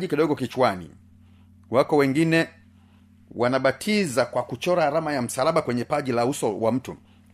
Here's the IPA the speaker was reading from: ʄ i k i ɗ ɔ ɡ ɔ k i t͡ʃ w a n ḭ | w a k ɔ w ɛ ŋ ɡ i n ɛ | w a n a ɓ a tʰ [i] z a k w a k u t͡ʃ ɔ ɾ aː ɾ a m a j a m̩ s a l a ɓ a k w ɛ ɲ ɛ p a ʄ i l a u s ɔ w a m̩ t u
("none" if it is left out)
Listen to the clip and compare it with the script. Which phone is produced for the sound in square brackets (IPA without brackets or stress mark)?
i